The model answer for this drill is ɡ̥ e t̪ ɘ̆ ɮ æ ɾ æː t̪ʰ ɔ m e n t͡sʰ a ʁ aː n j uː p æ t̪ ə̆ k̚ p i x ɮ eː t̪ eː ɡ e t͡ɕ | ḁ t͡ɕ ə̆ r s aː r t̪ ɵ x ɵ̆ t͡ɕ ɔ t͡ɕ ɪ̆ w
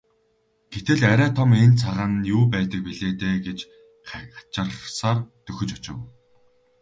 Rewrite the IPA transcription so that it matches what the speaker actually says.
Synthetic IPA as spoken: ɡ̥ e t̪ ɘ̆ ɮ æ ɾ æː t̪ʰ ɔ m e n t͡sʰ a ʁ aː n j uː p æː t̪ ə̆ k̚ p i ɮ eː t̪ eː ɡ e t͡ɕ | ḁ t͡ɕ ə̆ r s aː r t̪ ɵ x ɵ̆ t͡ɕ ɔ t͡ɕ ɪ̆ w

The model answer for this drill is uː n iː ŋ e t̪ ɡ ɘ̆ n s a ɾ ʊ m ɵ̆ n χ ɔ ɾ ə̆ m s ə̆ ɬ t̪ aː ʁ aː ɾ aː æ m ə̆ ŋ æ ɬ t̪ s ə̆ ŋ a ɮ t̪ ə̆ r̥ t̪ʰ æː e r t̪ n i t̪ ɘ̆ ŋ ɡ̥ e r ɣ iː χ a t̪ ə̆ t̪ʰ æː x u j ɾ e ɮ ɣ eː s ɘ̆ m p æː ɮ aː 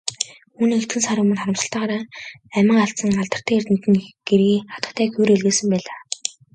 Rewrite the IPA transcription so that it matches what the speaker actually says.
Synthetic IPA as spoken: uː n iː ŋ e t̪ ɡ ɘ̆ n s a ɾ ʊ m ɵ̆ n χ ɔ ɾ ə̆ m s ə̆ ɬ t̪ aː ʁ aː ɾ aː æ m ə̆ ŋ a ɬ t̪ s ə̆ ŋ a ɮ t̪ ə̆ r̥ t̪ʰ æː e r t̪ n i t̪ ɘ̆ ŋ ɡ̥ e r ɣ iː χ a t̪ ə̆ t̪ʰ æː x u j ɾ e ɮ ɣ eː s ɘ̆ m p æː ɮ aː

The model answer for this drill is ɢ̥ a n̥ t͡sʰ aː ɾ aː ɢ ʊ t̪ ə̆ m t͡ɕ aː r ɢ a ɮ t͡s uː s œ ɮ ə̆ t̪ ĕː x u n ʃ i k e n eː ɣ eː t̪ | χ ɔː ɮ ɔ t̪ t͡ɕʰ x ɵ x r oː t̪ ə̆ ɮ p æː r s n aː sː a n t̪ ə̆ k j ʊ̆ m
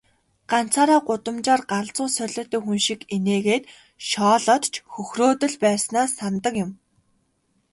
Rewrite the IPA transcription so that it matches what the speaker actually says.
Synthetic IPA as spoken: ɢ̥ a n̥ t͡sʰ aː ɾ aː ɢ ʊ t̪ ə̆ m t͡ɕ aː r ɢ a ɮ t͡s ʊː s œ ɮ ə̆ t̪ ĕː x u n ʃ i k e n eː ɣ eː t̪ | ʃ ɔː ɮ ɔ t̪ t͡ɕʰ x ɵ x r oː t̪ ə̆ ɮ p æː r s n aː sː a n t̪ ə̆ k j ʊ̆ m

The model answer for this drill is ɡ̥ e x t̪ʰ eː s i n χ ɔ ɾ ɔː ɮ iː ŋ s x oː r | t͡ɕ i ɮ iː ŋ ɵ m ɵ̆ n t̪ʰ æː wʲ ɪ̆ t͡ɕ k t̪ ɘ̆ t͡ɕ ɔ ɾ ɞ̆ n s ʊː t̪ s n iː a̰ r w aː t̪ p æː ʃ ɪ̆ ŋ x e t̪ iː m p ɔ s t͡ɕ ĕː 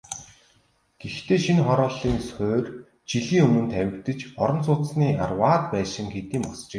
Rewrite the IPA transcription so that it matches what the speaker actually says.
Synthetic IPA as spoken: ɡ̥ e x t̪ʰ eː ʃ i n χ ɔ ɾ ɔː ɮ iː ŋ s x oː r | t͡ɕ i ɮ iː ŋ ɵ m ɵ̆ n t̪ʰ æ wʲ ɪ̆ k t̪ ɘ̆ t͡ɕ ɔ ɾ ɞ̆ n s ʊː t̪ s n iː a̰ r w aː t̪ p æː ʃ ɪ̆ ŋ x e t̪ iː m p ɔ s t͡ɕ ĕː

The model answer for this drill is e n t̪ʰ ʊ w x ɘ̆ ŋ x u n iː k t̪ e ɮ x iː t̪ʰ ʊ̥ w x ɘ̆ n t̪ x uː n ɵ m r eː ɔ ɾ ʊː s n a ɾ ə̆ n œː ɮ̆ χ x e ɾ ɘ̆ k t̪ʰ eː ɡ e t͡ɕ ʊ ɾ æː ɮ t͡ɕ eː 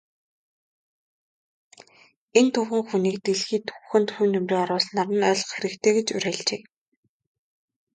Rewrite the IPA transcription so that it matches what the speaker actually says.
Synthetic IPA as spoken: e n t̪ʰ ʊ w x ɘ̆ ŋ x u n iː k t̪ e ɮ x iː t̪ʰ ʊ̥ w x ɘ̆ n t̪ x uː n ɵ m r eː ɔ ɾ ʊː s n a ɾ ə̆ n œː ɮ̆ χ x e ɾ ɘ̆ k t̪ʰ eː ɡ e t͡ɕ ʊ ɾ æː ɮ t͡ɕ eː

